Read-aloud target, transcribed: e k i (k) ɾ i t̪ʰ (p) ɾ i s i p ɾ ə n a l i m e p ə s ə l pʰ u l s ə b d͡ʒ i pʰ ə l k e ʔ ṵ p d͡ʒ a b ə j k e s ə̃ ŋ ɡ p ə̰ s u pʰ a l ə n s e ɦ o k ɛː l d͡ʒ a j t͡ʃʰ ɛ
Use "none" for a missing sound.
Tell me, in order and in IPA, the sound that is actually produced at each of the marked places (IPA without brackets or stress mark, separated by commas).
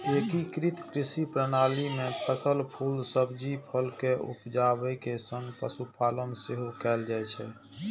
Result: k, k